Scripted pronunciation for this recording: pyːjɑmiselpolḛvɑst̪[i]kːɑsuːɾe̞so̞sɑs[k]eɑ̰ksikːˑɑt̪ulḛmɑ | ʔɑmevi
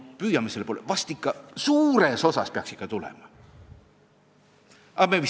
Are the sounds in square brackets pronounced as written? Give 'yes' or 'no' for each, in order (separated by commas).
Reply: yes, no